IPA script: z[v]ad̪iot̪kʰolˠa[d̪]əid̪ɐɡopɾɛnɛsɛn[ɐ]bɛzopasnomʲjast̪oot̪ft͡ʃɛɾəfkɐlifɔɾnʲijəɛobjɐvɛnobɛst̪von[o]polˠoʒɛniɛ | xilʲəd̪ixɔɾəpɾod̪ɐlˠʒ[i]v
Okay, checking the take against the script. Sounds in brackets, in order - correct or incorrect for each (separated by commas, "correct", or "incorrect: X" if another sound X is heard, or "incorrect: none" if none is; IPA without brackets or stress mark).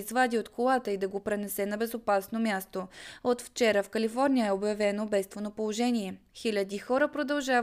correct, incorrect: t̪, correct, correct, incorrect: a